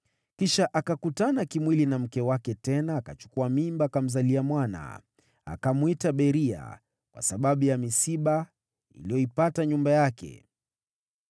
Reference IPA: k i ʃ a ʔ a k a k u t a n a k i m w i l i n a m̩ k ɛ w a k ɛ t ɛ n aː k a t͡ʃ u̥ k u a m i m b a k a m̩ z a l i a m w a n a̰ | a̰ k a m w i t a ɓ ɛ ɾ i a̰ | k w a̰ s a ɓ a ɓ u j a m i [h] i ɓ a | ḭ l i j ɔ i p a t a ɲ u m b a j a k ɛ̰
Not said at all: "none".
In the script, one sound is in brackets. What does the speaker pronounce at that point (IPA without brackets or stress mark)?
s